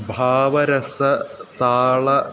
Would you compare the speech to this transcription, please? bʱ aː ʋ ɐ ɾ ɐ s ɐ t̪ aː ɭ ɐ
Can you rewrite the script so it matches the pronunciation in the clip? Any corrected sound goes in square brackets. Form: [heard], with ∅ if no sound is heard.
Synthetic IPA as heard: bʱ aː ʋ ɐ ɾ ɐ s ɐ t̪ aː ɭ ɐ